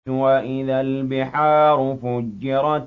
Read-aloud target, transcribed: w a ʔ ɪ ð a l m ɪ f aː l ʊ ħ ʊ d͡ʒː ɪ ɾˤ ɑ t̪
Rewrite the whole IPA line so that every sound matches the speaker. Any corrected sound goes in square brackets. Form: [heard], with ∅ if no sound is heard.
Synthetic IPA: w a ʔ ɪ ð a l [b] ɪ [ħ] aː [ɾ] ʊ [f] ʊ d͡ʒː ɪ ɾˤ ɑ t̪